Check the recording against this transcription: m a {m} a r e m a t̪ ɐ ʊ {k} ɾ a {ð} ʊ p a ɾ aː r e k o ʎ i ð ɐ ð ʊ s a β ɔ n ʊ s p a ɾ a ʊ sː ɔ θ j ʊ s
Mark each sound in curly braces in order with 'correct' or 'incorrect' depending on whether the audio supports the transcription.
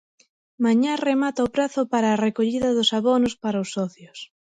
incorrect: ɲ, incorrect: p, incorrect: θ

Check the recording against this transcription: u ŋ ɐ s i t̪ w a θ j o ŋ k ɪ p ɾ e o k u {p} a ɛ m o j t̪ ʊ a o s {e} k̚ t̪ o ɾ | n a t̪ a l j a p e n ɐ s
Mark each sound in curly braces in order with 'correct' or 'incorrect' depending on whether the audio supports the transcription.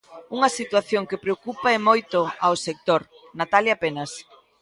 correct, correct

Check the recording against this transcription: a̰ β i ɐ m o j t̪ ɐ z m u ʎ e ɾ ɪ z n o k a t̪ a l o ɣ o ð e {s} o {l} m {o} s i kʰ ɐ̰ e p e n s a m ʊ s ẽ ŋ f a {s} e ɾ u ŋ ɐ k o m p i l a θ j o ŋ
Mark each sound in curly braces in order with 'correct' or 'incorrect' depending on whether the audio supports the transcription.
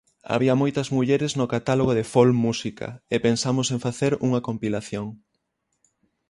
incorrect: f, correct, incorrect: u, incorrect: θ

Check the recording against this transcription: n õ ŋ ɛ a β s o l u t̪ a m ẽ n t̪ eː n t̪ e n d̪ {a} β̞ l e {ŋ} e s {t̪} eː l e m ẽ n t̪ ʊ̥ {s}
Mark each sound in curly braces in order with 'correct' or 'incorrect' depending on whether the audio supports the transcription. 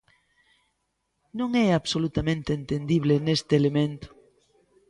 incorrect: i, incorrect: n, correct, incorrect: none

